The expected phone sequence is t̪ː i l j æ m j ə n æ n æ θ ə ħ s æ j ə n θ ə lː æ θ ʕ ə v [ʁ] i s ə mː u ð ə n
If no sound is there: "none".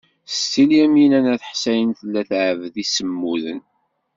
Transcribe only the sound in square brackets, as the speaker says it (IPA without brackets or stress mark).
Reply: ð